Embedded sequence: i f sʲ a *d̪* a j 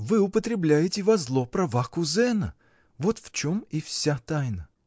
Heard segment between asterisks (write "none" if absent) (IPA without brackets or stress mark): t̪